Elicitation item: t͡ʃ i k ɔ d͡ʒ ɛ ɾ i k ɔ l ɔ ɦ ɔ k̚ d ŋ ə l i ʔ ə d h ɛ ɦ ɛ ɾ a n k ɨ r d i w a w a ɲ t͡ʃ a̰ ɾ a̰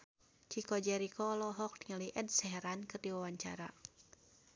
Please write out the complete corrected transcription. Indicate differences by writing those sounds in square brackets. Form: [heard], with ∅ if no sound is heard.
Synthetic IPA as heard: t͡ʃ i k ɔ d͡ʒ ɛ ɾ i k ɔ l ɔ ɦ ɔ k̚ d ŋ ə l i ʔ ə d [s] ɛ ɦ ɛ ɾ a n k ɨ r d i w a w a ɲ t͡ʃ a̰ ɾ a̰